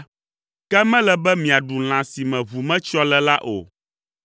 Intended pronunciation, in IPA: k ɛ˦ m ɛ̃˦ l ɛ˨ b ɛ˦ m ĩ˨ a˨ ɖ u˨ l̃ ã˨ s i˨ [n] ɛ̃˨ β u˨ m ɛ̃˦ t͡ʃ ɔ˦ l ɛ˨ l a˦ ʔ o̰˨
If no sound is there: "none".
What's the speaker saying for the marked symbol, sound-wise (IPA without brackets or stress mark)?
m